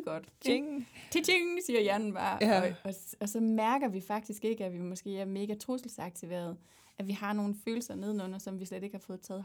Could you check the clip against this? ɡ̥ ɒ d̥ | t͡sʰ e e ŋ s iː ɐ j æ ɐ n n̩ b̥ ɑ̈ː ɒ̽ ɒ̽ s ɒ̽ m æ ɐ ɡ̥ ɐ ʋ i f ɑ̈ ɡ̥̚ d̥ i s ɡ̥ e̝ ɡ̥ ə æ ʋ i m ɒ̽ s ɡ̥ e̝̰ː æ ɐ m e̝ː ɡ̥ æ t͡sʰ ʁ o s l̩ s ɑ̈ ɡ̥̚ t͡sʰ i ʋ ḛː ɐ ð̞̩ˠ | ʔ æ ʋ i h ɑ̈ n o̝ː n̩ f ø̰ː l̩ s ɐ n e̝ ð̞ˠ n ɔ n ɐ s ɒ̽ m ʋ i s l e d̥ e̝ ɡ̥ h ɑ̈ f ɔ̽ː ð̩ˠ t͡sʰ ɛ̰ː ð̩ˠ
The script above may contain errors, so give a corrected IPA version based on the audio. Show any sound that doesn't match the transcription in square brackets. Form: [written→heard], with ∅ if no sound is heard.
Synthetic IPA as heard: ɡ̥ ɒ d̥ | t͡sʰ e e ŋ s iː ɐ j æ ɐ n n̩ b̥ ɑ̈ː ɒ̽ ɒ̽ s ɒ̽ m æ ɐ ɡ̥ ɐ ʋ i f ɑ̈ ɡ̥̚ d̥ i s ɡ̥ e̝ ɡ̥ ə æ ʋ i m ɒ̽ s ɡ̥ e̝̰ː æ ɐ m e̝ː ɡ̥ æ t͡sʰ ʁ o s l̩ s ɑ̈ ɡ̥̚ t͡sʰ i ʋ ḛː ɐ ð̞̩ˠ | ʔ æ ʋ i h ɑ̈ n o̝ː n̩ f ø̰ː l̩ s ɐ n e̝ ð̞ˠ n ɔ n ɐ s ɒ̽ m ʋ i s l e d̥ e̝ ɡ̥ h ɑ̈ f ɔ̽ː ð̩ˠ t͡sʰ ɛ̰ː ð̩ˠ